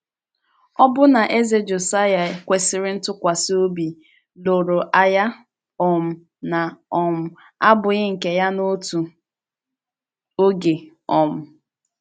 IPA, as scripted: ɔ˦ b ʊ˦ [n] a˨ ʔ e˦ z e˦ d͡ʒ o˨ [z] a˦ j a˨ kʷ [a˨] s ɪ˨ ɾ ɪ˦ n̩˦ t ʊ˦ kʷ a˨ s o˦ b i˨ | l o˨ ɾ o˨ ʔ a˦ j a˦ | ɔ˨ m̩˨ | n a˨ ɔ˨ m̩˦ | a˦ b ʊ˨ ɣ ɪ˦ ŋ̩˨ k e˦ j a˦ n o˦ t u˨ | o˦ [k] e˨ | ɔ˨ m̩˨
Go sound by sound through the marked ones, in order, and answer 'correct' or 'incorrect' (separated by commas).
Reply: correct, incorrect, incorrect, incorrect